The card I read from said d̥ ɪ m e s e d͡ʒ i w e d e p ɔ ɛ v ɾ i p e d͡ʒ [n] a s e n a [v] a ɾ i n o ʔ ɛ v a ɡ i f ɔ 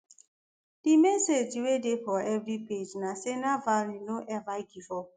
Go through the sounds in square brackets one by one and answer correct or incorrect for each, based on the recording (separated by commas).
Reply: correct, correct